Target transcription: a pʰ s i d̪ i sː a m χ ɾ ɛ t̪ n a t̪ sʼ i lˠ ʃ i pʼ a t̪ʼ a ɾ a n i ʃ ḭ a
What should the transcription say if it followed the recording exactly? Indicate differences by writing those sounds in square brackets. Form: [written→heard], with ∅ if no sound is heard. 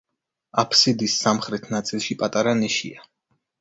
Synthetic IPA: a pʰ s i d̪ i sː a m χ ɾ ɛ [t̪→t̪ʰ] n a t̪ sʼ i lˠ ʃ i pʼ a t̪ʼ a ɾ a n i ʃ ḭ a